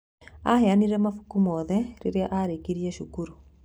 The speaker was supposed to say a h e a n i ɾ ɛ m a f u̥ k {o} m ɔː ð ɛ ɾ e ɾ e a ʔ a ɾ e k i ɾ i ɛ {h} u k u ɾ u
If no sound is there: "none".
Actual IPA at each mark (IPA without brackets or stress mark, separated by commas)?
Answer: u, ʃ